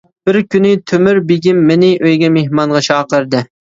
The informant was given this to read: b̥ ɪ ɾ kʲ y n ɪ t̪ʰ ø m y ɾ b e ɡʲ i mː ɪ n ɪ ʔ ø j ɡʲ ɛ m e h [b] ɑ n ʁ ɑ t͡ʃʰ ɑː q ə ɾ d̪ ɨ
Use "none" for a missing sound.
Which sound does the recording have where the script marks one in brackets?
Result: m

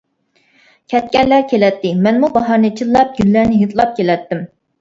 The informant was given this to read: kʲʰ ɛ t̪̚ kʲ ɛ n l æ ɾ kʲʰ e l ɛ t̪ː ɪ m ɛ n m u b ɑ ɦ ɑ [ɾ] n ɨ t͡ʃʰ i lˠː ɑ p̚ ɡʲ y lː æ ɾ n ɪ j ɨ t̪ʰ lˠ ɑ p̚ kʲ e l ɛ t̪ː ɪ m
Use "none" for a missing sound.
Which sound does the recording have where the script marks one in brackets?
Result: ɾ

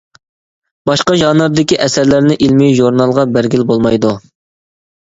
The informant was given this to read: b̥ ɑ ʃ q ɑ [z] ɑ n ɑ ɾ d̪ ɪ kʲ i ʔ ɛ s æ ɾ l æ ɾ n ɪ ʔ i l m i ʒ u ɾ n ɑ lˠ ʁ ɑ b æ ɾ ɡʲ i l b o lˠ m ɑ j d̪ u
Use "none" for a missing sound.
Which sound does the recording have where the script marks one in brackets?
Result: ʒ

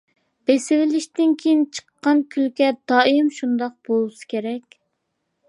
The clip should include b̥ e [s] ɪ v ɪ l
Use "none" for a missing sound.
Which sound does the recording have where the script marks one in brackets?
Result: s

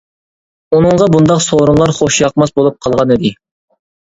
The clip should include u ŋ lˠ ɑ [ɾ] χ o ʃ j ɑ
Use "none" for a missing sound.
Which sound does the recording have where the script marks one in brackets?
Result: ɾ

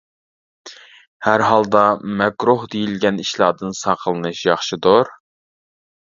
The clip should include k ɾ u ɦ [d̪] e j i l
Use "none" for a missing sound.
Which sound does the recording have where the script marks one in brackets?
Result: d̪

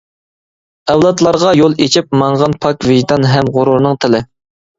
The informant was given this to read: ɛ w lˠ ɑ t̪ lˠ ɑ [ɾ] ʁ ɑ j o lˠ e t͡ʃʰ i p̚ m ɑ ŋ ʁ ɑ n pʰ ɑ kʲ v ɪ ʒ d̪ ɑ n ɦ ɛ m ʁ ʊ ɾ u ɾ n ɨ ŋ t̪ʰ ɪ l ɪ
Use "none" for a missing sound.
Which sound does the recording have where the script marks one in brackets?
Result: ɾ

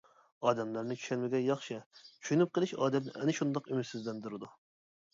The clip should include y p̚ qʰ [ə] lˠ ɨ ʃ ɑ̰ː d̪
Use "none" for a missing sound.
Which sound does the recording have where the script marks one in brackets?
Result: ə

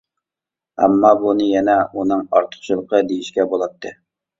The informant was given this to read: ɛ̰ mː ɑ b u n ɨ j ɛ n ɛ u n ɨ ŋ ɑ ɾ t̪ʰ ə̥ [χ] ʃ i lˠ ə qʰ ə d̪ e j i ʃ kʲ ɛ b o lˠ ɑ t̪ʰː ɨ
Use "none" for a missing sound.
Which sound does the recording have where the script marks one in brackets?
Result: χ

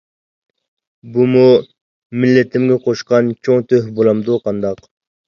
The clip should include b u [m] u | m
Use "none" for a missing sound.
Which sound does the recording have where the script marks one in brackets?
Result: m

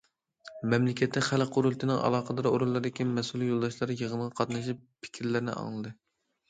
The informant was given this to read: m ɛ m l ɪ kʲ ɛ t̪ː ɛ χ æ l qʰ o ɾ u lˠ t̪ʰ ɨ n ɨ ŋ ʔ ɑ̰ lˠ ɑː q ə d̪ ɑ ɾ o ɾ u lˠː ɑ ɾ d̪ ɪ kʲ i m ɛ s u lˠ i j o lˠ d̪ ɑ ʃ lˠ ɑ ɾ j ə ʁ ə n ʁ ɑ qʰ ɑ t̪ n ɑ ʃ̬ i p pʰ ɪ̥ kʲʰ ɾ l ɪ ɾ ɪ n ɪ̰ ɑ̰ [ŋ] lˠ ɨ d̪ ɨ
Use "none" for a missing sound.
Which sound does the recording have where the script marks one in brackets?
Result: ŋ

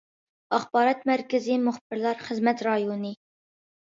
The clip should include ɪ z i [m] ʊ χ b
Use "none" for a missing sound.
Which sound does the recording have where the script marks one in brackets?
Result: m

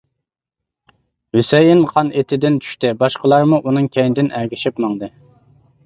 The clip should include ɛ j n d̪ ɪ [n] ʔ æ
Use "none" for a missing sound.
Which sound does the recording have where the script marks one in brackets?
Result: n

